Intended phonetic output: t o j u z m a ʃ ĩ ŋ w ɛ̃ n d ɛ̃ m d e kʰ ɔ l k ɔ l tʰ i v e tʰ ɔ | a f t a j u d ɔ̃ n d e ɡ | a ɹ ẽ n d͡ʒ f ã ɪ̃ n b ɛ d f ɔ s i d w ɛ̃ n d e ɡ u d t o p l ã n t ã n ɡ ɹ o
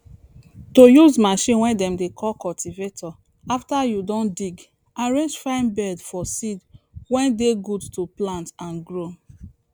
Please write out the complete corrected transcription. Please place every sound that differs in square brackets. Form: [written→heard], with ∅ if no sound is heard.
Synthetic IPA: t o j u z m a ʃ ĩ [ŋ→n] w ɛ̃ n d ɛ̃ m d e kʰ ɔ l k ɔ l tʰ i v e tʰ ɔ | a f t a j u d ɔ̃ n d [e→i] ɡ | a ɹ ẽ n d͡ʒ f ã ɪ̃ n b ɛ d f ɔ s i d w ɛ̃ n d e ɡ u d t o p l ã n t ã n ɡ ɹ o